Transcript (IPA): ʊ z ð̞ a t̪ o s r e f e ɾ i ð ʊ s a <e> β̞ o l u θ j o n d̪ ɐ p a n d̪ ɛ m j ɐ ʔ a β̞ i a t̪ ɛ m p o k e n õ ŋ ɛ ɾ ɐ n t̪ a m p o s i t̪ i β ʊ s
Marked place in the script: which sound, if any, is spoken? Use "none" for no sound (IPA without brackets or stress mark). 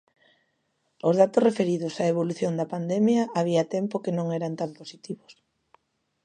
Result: e